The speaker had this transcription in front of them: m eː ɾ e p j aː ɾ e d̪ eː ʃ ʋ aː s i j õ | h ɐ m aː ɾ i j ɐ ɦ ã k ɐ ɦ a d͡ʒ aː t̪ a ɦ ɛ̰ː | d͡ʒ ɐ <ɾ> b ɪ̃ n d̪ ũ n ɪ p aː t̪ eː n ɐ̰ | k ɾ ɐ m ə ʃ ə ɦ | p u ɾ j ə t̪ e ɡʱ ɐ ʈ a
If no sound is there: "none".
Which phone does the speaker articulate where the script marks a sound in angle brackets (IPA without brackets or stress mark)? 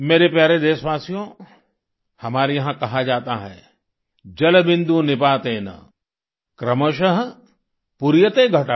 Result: l